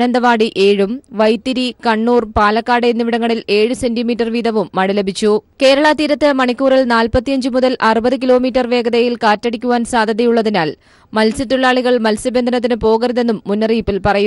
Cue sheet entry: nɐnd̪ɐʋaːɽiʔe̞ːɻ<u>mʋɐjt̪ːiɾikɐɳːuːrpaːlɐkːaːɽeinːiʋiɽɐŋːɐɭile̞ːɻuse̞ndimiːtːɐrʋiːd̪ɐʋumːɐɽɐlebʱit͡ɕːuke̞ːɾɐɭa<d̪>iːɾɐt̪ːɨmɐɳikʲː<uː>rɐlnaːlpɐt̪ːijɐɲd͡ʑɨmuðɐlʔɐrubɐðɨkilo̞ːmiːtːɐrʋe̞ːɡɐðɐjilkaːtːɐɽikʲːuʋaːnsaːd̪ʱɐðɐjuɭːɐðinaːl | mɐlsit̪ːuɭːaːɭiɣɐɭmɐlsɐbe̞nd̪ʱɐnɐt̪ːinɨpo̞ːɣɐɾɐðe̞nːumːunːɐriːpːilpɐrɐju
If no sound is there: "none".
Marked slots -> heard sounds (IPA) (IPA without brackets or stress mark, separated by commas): u, t̪, uː